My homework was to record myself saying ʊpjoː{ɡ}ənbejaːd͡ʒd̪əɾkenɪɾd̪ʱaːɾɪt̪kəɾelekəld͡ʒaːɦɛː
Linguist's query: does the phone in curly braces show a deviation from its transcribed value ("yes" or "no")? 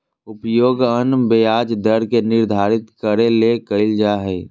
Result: no